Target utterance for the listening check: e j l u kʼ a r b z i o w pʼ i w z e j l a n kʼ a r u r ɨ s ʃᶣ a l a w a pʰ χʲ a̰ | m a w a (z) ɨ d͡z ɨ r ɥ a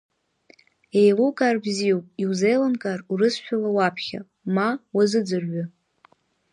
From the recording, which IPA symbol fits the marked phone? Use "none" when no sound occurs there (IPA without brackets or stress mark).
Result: z